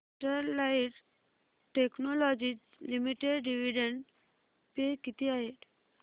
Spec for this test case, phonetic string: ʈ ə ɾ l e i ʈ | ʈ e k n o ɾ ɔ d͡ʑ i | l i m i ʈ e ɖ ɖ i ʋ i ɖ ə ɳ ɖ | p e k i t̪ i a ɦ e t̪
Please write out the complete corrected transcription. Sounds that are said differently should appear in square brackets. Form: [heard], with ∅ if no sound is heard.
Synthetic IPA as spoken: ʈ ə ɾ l [a] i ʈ | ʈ e k n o [l] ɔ d͡ʑ i | l i m i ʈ e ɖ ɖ i ʋ i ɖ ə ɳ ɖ | p e k i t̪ i a ɦ e t̪